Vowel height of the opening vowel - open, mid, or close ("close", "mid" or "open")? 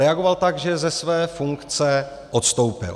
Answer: mid